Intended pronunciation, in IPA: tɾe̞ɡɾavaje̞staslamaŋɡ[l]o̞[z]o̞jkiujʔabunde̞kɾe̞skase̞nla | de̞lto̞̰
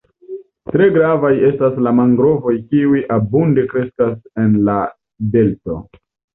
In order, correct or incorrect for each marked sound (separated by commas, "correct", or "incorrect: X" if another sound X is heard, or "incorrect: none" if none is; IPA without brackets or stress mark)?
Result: incorrect: ɾ, incorrect: v